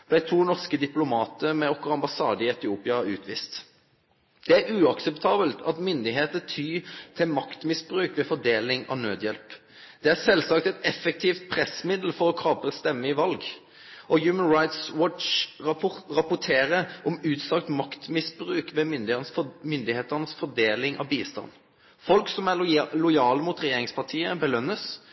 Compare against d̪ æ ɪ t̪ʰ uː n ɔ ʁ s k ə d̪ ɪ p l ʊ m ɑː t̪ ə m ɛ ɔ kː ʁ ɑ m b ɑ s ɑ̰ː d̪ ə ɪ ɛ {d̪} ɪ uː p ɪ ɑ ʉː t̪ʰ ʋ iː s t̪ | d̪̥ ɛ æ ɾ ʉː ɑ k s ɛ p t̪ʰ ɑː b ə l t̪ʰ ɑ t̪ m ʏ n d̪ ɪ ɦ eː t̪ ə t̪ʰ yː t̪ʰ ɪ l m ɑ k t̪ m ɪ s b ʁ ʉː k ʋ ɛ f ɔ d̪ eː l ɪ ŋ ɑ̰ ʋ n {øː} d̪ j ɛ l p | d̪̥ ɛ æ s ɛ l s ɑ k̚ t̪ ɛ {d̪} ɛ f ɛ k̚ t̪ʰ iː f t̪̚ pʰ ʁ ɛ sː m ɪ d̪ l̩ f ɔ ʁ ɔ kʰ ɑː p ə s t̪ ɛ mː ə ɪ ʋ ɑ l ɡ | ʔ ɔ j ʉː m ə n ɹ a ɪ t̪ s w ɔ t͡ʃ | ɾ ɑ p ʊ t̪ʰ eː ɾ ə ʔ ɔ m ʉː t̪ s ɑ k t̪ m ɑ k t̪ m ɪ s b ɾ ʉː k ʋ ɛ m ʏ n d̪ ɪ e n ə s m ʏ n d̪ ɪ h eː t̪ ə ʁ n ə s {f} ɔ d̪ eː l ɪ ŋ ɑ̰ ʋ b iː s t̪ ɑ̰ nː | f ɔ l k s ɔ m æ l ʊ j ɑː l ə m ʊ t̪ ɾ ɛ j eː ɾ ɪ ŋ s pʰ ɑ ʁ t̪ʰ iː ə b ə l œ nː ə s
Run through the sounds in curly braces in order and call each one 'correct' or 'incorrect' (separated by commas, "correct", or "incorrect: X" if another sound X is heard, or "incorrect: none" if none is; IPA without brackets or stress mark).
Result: incorrect: t̪, correct, incorrect: t̪, correct